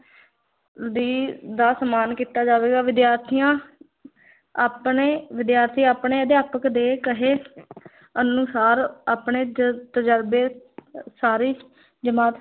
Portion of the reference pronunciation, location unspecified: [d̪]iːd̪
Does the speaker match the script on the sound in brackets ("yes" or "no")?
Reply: yes